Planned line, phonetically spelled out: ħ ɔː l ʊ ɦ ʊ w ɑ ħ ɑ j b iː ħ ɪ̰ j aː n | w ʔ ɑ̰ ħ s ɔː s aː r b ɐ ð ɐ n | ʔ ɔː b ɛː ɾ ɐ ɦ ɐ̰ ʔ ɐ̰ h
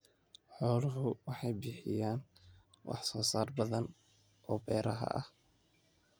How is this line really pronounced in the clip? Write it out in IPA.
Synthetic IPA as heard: ħ ɔː l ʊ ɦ ʊ w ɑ ħ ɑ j b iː ħ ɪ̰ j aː n | w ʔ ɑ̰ ħ s ɔː s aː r b ɐ ð ɐ n | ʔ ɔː b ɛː ɾ ɐ ɦ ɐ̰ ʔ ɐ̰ h